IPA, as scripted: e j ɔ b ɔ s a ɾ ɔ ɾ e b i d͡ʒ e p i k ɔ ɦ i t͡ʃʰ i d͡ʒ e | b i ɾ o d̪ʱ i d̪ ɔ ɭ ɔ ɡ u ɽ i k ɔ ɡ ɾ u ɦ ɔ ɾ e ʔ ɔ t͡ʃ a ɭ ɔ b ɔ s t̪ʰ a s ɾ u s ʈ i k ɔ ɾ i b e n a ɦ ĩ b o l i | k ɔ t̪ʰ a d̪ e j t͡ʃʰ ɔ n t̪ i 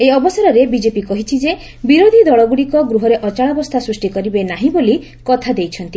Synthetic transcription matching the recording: e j ɔ b ɔ s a ɾ ɔ ɾ e b i d͡ʒ e p i k ɔ ɦ i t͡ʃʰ i d͡ʒ e | b i ɾ o d̪ʱ i d̪ ɔ ɭ ɔ ɡ u ɽ i k ɔ ɡ ɾ u ɦ ɔ ɾ e ʔ ɔ t͡ʃ a ɭ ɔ b ɔ s t̪ʰ a s ɾ u s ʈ i k ɔ ɾ i b e n a ɦ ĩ b o l i | k ɔ t̪ʰ a d̪ e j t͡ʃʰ ɔ n t̪ i